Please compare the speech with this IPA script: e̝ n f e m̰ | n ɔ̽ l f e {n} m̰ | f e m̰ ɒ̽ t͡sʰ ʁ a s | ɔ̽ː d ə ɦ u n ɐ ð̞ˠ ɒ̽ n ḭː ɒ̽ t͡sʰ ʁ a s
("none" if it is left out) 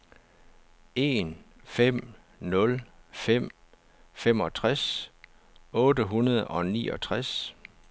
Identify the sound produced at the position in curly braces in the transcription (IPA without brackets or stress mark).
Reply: none